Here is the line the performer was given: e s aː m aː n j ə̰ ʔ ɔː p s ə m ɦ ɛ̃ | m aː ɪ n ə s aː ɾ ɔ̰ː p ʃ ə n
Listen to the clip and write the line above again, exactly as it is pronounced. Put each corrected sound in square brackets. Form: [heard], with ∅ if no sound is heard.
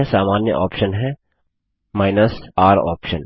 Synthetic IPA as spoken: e s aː m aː n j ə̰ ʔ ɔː p [ʃ] ə [n] ɦ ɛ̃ | m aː ɪ n ə s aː ɾ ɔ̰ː p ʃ ə n